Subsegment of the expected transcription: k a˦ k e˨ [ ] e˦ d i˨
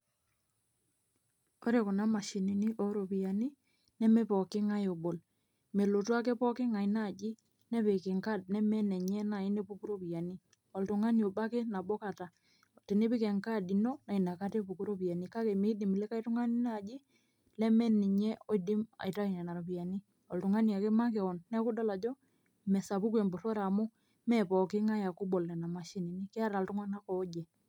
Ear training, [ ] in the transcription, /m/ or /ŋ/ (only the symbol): m